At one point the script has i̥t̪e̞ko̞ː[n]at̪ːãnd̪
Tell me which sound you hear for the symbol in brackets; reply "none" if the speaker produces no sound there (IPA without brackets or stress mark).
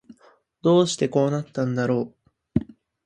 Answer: n